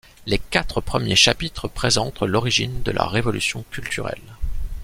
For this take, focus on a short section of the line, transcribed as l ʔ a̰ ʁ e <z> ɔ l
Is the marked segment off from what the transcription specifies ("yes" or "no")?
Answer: yes